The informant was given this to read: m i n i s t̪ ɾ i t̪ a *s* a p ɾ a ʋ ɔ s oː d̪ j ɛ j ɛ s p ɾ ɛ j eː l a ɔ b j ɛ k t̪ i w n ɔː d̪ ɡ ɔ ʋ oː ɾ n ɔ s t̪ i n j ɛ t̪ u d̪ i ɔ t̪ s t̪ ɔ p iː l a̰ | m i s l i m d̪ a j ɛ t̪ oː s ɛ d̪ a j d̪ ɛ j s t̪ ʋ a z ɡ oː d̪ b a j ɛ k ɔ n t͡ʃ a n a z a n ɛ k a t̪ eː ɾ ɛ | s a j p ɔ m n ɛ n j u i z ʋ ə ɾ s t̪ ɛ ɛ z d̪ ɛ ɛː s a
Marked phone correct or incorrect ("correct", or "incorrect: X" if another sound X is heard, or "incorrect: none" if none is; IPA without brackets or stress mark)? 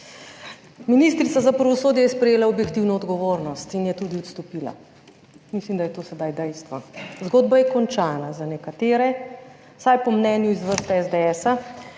incorrect: z